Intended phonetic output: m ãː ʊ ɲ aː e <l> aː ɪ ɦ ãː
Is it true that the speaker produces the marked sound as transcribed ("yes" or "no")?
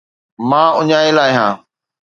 yes